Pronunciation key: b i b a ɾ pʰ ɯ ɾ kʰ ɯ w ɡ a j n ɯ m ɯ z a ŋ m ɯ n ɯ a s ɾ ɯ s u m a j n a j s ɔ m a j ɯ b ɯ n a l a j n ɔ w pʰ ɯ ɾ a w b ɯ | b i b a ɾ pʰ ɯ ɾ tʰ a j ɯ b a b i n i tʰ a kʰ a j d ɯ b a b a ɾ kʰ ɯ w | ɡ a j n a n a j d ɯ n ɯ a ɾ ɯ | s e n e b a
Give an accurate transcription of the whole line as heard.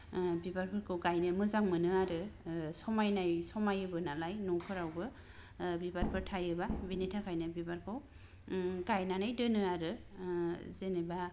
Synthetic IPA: b i b a ɾ pʰ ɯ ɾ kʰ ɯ w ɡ a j n ɯ m ɯ z a ŋ m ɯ n ɯ a ɾ ɯ s ɔ m a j n a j s ɔ m a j ɯ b ɯ n a l a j n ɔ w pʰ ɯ ɾ a w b ɯ | b i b a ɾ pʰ ɯ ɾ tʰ a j ɯ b a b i n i tʰ a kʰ a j n ɯ b i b a ɾ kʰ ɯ w | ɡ a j n a n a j d ɯ n ɯ a ɾ ɯ | z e n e b a